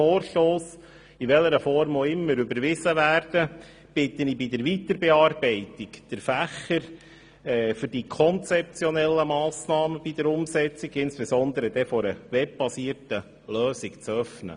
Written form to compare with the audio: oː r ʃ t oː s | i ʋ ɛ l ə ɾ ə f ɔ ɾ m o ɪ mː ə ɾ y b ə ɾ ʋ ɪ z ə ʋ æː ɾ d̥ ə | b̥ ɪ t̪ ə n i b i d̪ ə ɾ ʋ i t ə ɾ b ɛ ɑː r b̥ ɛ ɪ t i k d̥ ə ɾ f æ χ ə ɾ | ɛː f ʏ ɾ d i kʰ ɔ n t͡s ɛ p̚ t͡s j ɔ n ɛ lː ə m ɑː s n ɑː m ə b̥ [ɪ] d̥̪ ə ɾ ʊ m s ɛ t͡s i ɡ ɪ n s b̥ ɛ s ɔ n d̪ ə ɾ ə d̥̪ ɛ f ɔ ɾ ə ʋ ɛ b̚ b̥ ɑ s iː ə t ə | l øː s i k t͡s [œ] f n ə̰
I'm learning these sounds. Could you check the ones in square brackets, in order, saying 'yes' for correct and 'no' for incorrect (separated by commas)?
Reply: no, yes